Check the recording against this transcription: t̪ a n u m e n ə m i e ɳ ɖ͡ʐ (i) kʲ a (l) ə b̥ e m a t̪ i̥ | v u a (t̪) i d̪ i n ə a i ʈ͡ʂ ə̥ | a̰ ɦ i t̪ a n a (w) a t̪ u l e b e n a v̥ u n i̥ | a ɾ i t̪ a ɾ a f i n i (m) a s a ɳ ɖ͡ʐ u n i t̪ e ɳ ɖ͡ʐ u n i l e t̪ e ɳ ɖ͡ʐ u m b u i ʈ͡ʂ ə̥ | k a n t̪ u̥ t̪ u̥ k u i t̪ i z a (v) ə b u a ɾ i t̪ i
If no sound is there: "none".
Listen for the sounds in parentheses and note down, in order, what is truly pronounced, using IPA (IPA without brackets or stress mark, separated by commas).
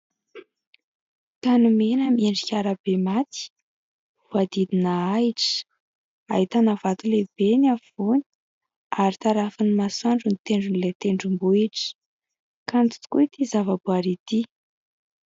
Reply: i, ɾ, d̪, v, m, v